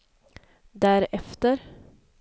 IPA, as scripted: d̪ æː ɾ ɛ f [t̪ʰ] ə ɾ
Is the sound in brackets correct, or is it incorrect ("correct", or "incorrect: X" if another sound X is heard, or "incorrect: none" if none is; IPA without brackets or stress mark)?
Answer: incorrect: t̪